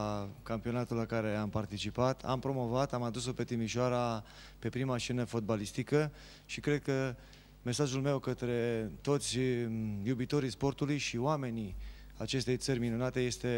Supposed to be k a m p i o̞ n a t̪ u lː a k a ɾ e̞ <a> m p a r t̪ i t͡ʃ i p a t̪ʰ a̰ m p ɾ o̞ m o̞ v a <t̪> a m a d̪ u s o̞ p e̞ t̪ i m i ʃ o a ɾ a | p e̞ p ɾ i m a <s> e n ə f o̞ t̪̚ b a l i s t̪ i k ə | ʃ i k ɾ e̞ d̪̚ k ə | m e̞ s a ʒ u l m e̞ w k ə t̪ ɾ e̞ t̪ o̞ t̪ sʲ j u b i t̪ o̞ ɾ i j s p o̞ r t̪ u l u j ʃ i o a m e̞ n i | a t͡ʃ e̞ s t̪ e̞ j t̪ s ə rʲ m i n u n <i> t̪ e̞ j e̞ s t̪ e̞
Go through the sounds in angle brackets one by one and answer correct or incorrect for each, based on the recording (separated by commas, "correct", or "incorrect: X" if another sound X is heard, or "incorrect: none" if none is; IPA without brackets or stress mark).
correct, correct, incorrect: ʃ, incorrect: a